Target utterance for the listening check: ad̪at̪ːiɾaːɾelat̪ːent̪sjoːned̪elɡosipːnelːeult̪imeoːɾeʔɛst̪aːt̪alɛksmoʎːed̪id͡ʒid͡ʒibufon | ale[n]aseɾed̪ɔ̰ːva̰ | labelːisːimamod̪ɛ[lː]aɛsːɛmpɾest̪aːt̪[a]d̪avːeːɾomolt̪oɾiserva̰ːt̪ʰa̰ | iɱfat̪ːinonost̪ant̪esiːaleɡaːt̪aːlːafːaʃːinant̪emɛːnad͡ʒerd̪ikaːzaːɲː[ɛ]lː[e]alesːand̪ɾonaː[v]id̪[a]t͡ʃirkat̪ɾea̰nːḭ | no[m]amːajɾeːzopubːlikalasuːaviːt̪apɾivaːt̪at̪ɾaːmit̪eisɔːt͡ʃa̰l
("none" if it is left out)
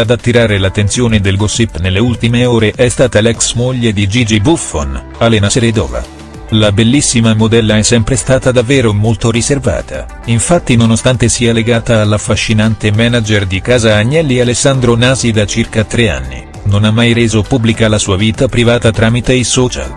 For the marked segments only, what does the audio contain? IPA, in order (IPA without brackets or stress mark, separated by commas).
n, lː, a, ɛ, i, z, a, n